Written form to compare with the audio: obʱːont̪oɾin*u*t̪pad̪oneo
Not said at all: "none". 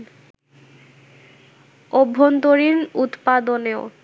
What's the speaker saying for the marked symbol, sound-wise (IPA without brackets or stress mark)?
u